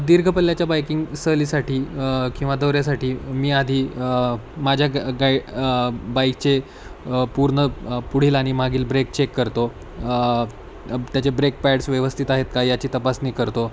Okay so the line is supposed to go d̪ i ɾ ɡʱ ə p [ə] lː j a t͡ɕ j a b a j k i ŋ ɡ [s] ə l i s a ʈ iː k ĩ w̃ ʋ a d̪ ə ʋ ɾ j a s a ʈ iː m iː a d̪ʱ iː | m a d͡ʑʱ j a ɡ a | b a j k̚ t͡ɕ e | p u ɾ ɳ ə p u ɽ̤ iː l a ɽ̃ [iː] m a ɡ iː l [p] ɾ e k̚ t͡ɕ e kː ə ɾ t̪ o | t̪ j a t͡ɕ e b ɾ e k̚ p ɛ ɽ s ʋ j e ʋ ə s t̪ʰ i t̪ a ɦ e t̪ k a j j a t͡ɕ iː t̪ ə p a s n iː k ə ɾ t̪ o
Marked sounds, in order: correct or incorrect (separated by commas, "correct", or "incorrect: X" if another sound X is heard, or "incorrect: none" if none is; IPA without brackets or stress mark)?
correct, correct, incorrect: i, incorrect: b